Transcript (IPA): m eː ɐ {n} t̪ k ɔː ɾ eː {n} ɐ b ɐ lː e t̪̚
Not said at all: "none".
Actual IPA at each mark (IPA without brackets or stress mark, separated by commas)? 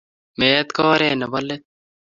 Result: none, n